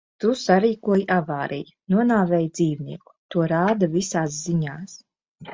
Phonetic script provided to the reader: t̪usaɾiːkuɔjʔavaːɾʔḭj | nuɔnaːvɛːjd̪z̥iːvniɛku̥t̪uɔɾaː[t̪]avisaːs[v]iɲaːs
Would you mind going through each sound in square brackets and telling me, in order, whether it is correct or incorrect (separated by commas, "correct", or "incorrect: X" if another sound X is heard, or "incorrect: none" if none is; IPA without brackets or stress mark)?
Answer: incorrect: d̪, incorrect: z